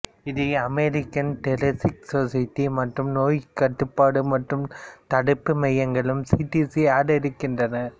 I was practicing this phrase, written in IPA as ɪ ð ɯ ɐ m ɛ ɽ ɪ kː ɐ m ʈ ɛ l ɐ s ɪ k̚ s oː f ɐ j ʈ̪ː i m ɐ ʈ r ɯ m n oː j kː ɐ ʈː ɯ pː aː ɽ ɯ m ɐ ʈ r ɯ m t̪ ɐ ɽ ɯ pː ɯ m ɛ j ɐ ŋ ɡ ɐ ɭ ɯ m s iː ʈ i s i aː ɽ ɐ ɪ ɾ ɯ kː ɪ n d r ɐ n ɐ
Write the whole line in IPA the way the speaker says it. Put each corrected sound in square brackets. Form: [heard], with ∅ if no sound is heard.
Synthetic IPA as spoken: ɪ ð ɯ ɐ m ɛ [ɾ] ɪ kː ɐ [n] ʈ ɛ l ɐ s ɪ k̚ s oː [s] ɐ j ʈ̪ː i m ɐ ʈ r ɯ m n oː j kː ɐ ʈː ɯ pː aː ɽ ɯ m ɐ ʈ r ɯ m t̪ ɐ ɽ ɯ pː ɯ m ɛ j ɐ ŋ ɡ ɐ ɭ ɯ m s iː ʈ i s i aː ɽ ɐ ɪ ɾ ɯ kː ɪ n d r ɐ n ɐ